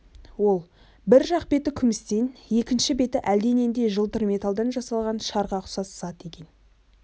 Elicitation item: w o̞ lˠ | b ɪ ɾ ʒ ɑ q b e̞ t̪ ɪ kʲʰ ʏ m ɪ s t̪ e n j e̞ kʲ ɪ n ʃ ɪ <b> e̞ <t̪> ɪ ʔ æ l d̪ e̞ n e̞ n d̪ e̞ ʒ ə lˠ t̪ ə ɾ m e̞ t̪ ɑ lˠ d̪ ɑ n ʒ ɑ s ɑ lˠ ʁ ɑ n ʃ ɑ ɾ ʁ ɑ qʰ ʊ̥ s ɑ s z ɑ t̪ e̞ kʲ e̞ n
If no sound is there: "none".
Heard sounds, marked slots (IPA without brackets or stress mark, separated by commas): b, t̪